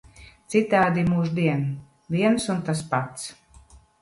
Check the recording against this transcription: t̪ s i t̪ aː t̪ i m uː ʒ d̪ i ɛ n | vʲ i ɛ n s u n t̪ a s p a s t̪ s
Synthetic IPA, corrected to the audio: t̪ s i t̪ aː d̪ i m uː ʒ d̪ i ɛ n | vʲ i ɛ n s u n t̪ a s p a t̪ s